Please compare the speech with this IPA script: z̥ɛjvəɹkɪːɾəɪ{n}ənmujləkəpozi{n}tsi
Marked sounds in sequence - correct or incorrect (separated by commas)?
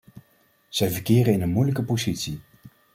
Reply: correct, incorrect